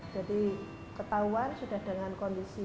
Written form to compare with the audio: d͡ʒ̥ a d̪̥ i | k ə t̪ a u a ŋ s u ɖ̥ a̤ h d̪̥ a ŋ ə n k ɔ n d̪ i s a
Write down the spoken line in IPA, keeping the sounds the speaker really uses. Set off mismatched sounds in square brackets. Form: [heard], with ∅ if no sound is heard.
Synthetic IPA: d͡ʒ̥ a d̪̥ i | k ə t̪ a u a [n] s u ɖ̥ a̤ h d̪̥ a ŋ [a] n k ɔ n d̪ i s [i]